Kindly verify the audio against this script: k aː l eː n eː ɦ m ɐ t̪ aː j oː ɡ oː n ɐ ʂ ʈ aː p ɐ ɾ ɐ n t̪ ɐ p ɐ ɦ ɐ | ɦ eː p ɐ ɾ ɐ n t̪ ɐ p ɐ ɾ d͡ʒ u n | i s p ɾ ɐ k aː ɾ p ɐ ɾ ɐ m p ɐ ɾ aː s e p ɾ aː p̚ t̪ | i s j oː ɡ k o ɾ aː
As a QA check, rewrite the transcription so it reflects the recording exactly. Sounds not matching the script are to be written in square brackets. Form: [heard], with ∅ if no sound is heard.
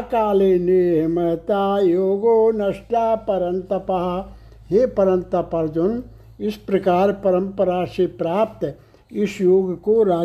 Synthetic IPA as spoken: k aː l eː n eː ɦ m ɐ t̪ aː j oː ɡ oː n ɐ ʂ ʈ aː p ɐ ɾ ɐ n t̪ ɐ p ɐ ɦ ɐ | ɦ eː p ɐ ɾ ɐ n t̪ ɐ p ɐ ɾ d͡ʒ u n | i s p ɾ ɐ k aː ɾ p ɐ ɾ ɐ m p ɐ ɾ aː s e p ɾ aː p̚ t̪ | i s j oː ɡ k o ɾ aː